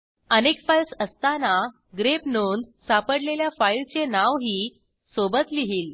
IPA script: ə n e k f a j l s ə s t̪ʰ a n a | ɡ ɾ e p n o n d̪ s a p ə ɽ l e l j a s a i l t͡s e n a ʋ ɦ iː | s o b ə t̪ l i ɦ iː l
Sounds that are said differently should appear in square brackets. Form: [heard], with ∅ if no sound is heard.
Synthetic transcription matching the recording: ə n e k f a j l s ə s [t̪] a n a | ɡ ɾ e p n o n d̪ s a p ə ɽ l e l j a [f] a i l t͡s e n a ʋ ɦ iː | s o b ə t̪ l i ɦ iː l